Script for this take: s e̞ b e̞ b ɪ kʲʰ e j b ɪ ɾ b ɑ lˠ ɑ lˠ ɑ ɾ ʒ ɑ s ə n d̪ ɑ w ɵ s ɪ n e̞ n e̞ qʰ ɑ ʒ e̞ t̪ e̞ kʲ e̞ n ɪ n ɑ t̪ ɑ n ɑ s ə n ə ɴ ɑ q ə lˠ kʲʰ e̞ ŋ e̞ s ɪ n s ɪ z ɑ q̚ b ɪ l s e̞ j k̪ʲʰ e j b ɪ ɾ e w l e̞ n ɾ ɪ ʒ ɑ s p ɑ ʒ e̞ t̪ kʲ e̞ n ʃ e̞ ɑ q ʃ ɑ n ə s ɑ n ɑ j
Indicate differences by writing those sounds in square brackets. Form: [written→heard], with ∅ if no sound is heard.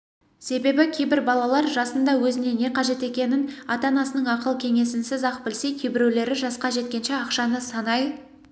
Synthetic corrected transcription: s e̞ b e̞ b ɪ kʲʰ e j b ɪ ɾ b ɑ lˠ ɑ lˠ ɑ ɾ ʒ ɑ s ə n d̪ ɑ w ɵ [s→z] ɪ n e̞ n e̞ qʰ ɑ ʒ e̞ t̪ e̞ kʲ e̞ n ɪ n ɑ t̪ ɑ n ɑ s ə n ə ɴ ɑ q ə lˠ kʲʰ e̞ ŋ e̞ s ɪ n s ɪ z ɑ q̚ b ɪ l s e̞ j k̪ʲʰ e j b ɪ ɾ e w l e̞ [n→∅] ɾ ɪ ʒ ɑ s [p→q] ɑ ʒ e̞ t̪ kʲ e̞ n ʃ e̞ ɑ q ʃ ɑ n ə s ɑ n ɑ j